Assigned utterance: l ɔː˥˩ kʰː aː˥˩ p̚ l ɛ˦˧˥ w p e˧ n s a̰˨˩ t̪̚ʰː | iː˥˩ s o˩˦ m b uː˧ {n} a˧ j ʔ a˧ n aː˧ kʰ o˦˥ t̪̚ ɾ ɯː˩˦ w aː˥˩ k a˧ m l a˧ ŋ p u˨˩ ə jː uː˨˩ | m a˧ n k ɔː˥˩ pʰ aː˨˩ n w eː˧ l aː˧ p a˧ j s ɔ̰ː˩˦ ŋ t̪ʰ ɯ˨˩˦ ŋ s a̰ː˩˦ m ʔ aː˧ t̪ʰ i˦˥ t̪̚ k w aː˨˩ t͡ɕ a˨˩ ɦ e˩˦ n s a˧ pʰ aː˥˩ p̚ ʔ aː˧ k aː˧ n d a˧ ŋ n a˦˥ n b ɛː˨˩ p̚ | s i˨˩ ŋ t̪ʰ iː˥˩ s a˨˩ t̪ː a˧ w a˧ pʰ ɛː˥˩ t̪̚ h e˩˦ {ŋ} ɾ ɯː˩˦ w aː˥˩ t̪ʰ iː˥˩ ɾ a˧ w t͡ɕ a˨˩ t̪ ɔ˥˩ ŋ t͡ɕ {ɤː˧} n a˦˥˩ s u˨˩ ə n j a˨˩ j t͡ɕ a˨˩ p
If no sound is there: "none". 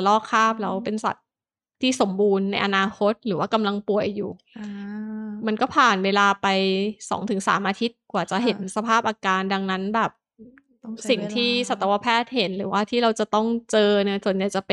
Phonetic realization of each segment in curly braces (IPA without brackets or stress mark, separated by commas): nː, n, ɤː˧